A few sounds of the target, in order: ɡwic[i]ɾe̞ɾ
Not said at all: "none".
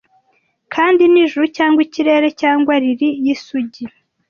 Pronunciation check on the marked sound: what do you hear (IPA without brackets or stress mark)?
i